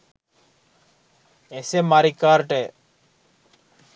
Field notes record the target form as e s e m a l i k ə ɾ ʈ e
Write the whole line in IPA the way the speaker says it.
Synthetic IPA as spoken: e s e m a ɾ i k a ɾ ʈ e